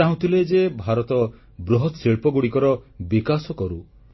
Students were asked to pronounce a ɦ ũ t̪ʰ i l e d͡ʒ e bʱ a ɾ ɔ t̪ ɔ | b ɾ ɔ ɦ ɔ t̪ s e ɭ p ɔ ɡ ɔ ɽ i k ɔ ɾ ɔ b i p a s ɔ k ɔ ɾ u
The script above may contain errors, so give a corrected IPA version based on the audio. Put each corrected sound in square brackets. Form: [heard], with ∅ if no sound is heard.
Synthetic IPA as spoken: a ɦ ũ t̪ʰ i l e d͡ʒ e bʱ a ɾ ɔ t̪ ɔ | b ɾ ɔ ɦ ɔ t̪ s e ɭ p ɔ ɡ [u] ɽ i k ɔ ɾ ɔ b i [k] a s ɔ k ɔ ɾ u